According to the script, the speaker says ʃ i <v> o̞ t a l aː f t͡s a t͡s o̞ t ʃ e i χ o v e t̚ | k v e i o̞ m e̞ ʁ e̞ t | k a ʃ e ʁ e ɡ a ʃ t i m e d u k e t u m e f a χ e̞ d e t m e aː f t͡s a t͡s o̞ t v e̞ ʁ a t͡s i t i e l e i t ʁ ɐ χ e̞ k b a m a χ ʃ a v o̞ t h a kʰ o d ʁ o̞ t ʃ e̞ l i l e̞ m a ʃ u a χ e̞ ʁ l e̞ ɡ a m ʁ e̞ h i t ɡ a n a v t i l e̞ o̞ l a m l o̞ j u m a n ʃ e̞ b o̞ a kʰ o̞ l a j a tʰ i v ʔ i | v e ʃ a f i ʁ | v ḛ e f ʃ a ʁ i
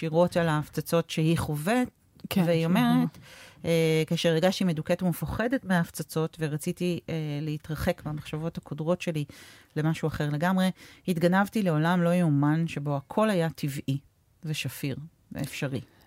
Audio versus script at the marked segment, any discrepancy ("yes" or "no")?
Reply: yes